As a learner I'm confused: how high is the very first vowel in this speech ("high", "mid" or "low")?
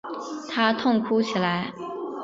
low